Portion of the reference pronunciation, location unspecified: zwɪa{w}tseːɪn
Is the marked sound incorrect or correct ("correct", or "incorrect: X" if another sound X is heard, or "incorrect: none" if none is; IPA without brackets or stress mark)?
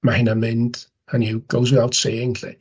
correct